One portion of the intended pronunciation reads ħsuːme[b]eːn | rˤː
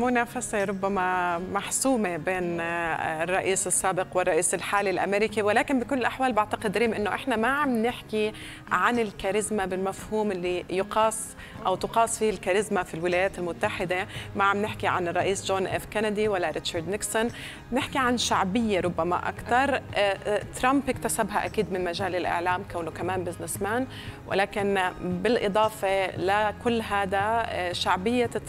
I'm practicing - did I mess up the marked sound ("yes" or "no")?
no